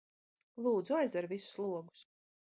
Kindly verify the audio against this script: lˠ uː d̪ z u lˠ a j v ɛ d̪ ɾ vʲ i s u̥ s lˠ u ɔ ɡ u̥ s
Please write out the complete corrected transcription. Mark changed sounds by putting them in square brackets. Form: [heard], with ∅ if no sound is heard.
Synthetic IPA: lˠ uː d̪ z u [∅] a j [z] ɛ [∅] ɾ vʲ i s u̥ s lˠ u ɔ ɡ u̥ s